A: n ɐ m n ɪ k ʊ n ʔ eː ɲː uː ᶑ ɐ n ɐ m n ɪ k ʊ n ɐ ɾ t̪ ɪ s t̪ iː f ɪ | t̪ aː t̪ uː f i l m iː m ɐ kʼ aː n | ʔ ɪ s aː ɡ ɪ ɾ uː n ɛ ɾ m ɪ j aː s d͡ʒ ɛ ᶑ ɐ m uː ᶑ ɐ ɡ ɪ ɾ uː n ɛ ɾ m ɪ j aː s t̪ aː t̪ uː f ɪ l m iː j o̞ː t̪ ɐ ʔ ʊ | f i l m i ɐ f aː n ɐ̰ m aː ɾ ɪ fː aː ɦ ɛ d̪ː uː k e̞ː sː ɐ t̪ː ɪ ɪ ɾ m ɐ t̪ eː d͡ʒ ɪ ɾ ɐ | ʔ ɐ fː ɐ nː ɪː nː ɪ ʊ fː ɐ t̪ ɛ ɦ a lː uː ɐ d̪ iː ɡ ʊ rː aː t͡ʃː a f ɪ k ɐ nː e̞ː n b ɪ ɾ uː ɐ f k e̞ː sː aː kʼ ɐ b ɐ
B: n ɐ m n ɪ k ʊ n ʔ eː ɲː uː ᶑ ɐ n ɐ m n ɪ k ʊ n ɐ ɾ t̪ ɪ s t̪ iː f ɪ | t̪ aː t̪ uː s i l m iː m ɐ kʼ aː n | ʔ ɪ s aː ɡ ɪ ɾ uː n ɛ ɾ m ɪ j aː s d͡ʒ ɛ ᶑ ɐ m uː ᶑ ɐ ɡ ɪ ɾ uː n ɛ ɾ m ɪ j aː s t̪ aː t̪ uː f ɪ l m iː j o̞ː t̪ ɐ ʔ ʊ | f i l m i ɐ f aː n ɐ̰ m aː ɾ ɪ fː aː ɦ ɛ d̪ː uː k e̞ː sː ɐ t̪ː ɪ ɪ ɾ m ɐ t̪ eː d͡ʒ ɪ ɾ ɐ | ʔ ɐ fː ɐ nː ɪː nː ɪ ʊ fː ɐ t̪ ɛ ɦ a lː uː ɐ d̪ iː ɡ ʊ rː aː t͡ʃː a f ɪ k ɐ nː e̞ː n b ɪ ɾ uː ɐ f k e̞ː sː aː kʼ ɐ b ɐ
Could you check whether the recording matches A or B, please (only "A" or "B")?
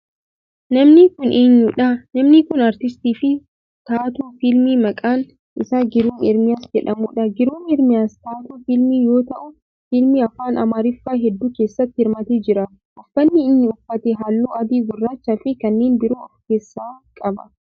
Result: A